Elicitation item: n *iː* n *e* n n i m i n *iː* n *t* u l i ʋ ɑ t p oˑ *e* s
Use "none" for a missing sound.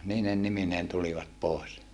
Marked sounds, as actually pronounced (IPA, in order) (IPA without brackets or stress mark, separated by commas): iː, e, eː, t, e